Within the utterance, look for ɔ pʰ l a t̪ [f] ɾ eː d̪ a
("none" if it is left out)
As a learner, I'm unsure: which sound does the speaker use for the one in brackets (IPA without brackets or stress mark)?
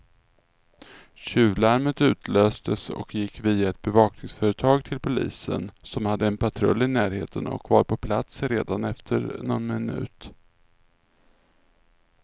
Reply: s